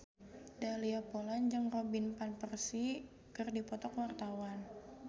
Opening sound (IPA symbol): d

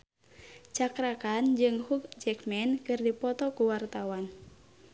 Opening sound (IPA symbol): t͡ʃ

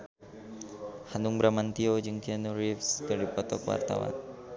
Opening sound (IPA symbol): h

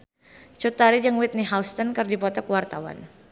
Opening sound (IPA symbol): t͡ʃ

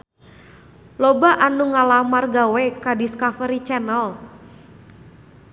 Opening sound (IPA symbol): l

